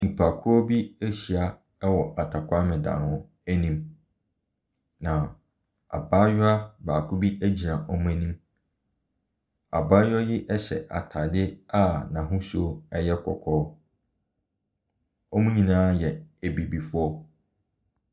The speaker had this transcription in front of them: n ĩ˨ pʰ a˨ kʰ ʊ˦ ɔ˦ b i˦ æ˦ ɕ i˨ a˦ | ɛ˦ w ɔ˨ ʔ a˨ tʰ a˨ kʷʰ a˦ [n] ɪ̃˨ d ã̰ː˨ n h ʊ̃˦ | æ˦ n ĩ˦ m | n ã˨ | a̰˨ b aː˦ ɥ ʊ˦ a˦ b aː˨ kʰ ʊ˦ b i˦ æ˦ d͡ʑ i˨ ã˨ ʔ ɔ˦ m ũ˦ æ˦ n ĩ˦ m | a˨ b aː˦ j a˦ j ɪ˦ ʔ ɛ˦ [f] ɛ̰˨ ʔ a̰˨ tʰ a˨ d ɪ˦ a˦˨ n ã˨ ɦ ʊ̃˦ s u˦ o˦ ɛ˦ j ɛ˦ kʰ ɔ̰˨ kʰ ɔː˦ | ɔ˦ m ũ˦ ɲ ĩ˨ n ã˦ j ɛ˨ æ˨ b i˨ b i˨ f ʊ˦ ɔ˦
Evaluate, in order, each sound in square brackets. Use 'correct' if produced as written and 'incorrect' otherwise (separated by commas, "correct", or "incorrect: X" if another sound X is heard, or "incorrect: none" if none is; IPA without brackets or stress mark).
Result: incorrect: m, incorrect: ɕ